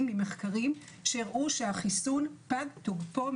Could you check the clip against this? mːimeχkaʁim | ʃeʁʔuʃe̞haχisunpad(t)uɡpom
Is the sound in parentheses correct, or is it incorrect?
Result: correct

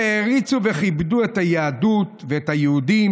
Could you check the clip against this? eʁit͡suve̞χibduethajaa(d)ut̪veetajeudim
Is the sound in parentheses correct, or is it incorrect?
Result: correct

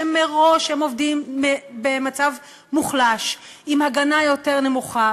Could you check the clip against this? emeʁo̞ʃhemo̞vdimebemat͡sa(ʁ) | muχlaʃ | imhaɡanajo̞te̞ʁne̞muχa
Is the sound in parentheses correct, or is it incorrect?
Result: incorrect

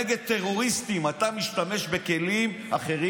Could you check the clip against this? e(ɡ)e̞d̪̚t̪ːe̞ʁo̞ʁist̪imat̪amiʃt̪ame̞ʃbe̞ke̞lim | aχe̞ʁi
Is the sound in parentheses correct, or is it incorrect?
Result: correct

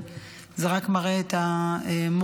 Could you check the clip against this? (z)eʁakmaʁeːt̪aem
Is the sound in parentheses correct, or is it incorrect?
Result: correct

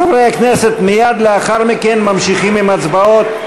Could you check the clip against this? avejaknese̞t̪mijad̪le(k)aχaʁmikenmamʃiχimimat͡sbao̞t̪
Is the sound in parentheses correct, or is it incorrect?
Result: incorrect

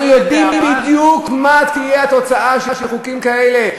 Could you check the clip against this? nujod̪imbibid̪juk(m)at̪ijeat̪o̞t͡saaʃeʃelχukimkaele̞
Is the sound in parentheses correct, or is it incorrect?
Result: correct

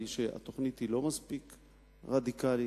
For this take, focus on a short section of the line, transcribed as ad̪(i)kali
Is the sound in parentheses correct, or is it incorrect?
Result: correct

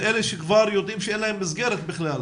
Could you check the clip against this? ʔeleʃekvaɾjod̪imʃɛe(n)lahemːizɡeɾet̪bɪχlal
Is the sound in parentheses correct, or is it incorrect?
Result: correct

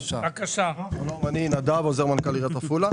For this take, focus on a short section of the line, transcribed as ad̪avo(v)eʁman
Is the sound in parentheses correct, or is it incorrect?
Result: incorrect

